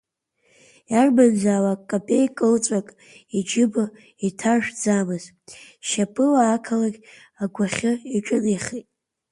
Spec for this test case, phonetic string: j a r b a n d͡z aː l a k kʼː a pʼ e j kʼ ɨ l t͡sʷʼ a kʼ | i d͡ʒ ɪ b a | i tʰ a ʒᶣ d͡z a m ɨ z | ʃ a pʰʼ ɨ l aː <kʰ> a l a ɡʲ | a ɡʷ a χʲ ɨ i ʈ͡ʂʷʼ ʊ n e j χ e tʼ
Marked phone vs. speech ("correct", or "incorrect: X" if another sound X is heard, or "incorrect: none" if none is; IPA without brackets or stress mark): correct